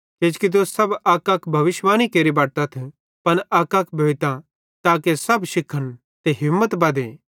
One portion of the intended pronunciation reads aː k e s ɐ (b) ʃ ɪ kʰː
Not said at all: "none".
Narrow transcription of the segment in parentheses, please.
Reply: b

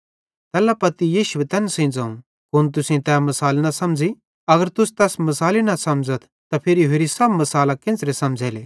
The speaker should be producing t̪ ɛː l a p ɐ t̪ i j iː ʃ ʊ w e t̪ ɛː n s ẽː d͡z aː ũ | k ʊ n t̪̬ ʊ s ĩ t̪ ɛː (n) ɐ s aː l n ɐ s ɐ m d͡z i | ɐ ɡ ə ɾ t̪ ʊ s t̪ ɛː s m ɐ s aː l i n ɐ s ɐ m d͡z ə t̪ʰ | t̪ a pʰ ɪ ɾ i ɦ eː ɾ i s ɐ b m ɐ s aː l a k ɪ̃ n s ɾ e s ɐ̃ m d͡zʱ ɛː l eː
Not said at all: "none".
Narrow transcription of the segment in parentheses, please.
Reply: m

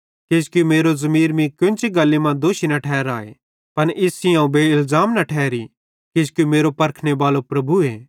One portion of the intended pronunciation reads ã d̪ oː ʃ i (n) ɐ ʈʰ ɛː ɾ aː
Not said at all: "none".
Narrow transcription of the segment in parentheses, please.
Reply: n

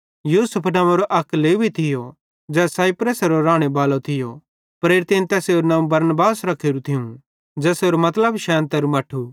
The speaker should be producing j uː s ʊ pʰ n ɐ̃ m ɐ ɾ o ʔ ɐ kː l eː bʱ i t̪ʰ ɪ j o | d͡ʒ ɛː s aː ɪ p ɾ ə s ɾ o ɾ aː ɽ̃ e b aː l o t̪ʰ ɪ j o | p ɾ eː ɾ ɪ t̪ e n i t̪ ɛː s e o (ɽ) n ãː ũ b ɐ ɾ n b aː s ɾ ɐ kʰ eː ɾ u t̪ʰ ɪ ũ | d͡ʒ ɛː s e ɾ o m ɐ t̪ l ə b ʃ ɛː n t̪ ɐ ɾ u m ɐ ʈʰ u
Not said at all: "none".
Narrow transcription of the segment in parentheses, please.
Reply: ɾ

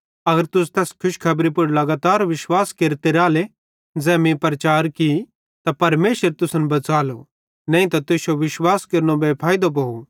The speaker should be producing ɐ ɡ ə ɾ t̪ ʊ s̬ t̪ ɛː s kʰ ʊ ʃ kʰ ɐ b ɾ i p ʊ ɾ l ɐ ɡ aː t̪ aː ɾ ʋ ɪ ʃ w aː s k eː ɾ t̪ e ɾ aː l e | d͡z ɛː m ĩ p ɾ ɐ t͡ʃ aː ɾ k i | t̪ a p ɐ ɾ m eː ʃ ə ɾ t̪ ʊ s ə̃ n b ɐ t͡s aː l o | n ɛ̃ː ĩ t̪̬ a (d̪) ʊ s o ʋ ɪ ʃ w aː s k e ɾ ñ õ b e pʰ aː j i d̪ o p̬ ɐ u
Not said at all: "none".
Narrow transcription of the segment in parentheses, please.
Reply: t̪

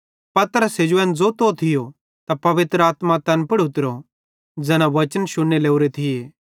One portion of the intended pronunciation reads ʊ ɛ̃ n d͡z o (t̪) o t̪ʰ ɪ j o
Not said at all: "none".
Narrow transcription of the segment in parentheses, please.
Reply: t̪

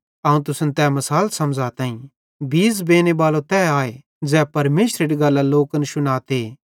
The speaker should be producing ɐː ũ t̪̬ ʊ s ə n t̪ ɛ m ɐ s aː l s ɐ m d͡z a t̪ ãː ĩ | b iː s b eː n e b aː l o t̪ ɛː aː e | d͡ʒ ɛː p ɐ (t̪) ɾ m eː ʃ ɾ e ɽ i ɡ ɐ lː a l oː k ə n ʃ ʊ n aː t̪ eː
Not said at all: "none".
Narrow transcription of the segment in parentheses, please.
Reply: none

